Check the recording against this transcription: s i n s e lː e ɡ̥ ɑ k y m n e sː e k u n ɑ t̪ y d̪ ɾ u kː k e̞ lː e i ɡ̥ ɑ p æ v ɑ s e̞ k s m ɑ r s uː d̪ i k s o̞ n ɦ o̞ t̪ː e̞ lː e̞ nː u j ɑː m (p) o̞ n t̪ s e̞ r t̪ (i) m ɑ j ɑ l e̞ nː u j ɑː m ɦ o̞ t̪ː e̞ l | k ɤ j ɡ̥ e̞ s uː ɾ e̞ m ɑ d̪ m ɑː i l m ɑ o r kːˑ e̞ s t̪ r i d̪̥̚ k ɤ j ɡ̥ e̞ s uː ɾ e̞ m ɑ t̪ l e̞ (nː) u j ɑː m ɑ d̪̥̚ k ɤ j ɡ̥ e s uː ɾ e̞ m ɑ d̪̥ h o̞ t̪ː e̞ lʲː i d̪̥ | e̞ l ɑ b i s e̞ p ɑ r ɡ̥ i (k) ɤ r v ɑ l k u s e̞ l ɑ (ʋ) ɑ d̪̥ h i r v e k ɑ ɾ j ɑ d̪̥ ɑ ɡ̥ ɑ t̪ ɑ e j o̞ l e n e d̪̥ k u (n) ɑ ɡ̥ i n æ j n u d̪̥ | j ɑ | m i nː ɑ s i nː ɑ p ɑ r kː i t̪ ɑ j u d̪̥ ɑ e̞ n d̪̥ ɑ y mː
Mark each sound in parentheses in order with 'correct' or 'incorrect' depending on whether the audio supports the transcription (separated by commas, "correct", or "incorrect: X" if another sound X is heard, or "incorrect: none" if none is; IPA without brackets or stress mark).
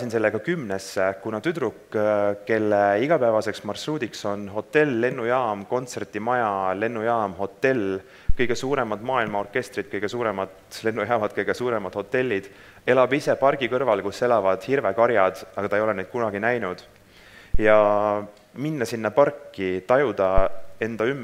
incorrect: k, correct, correct, correct, incorrect: v, correct